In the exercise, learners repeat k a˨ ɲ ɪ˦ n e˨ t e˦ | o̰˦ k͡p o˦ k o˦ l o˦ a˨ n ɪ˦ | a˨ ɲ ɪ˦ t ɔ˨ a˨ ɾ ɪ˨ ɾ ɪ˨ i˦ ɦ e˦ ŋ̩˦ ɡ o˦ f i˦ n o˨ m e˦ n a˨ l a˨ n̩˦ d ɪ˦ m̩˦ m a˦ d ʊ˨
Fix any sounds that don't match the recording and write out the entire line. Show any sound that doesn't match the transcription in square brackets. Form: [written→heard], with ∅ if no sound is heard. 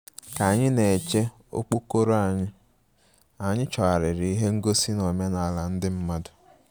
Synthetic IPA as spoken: k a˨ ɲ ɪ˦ n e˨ [t→t͡ʃ] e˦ | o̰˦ k͡p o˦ k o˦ [l→ɾ] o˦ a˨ [n→ɲ] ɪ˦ | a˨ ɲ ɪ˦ [t→t͡ʃ] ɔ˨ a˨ ɾ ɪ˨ ɾ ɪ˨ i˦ ɦ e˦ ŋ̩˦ ɡ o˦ [f→s] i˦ n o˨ m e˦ n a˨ l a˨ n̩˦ d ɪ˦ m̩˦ m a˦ d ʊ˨

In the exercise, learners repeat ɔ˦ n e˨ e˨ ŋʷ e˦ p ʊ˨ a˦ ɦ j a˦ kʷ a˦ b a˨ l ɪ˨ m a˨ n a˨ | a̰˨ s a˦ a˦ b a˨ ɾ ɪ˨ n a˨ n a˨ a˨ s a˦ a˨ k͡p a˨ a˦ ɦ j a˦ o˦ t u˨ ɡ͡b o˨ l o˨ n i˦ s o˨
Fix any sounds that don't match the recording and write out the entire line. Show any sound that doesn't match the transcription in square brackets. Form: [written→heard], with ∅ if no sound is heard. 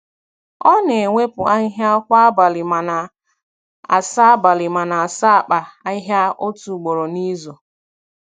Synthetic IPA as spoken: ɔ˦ n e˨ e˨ ŋʷ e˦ p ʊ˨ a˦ ɦ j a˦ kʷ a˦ b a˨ l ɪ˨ m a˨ n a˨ | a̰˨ s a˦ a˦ b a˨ [ɾ→l] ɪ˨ [n→m] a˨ n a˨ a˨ s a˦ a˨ k͡p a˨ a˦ ɦ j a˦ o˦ t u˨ ɡ͡b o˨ [l→ɾ] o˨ n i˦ [s→z] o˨

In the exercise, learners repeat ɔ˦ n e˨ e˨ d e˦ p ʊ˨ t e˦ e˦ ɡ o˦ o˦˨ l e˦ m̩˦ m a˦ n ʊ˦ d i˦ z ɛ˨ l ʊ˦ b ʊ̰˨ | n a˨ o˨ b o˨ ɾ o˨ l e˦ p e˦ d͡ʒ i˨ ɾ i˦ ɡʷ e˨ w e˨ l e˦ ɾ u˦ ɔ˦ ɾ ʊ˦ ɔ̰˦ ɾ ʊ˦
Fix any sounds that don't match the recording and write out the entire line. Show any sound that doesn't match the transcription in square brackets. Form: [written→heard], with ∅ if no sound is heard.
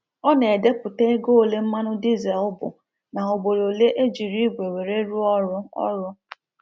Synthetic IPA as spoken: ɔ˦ n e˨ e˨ d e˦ p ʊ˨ t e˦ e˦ ɡ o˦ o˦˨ l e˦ m̩˦ m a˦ n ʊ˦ d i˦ z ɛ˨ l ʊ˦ b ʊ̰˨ | n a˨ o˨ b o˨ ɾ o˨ l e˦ [p→ʔ] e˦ d͡ʒ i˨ ɾ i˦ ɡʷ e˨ w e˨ [l→ɾ] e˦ ɾ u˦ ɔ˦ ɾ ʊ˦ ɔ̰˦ ɾ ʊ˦

